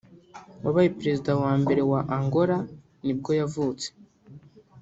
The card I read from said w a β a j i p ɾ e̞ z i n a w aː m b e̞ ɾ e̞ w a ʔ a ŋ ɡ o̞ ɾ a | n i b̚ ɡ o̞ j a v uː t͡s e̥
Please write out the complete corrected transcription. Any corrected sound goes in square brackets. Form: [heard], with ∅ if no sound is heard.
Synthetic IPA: w a β a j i p ɾ e̞ z i [d] a w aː m b e̞ ɾ e̞ w a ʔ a ŋ ɡ o̞ ɾ a | n i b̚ ɡ o̞ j a v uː t͡s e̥